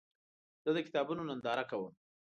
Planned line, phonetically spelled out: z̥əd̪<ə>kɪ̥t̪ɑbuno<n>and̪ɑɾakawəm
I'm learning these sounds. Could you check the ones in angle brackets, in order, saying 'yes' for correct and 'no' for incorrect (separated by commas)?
yes, yes